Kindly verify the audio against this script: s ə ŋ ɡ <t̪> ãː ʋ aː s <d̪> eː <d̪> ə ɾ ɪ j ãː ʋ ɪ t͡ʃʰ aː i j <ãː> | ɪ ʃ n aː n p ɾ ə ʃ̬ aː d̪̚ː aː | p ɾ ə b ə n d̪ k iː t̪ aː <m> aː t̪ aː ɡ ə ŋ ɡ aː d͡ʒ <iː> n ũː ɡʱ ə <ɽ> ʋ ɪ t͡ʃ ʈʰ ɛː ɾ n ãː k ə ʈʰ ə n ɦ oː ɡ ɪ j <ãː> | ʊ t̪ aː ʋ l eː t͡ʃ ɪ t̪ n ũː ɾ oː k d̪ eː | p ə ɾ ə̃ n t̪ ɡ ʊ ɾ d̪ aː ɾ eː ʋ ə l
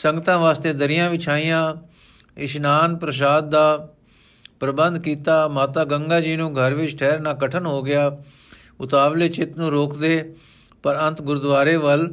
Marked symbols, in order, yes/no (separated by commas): yes, no, yes, yes, yes, yes, no, no